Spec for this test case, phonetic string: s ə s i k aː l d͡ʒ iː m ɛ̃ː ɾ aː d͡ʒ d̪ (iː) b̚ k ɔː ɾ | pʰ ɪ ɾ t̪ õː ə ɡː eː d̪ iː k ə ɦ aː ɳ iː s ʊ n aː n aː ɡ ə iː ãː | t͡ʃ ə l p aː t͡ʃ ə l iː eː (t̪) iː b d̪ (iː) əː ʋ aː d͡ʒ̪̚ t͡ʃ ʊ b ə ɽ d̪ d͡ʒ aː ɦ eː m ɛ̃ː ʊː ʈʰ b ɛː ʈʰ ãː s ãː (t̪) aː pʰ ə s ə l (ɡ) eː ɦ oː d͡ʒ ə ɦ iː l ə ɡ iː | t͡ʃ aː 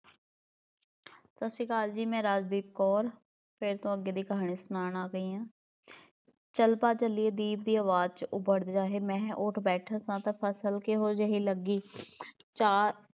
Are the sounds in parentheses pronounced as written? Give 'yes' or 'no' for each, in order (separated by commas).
yes, no, yes, yes, no